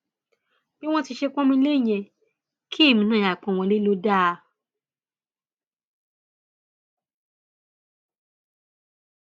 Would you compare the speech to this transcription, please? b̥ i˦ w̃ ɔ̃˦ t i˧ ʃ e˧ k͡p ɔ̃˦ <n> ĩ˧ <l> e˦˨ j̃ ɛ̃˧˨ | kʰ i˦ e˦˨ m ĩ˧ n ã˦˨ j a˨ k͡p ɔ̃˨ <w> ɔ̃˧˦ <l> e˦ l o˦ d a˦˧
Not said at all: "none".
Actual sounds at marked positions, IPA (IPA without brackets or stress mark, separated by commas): m, l, w, l